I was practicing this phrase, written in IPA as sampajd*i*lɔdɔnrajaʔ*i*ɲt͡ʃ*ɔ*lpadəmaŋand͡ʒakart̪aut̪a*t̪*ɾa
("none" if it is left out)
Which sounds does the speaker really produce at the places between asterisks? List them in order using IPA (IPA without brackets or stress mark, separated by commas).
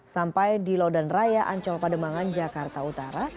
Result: i, a, ɔ, none